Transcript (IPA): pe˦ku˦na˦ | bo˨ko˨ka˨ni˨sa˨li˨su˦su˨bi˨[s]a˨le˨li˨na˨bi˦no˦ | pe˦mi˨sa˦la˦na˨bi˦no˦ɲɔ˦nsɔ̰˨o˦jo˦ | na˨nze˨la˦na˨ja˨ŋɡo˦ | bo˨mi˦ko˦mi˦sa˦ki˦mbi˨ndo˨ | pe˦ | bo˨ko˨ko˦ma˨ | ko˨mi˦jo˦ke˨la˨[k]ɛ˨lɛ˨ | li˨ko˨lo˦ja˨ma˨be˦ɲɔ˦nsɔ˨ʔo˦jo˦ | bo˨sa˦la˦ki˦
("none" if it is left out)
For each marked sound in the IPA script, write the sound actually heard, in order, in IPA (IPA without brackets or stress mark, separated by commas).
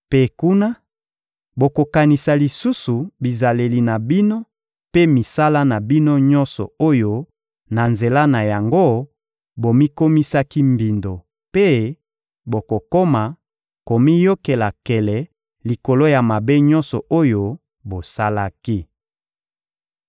z, k